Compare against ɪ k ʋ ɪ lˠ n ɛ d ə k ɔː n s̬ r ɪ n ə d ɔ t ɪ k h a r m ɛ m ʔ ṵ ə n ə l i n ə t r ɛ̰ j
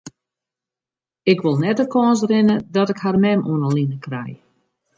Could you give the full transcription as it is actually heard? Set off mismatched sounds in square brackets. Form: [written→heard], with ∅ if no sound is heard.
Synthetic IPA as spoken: ɪ k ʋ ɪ lˠ n ɛ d ə k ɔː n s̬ r ɪ n ə d ɔ t ɪ k h a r m ɛ m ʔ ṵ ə n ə l i n ə [t→k] r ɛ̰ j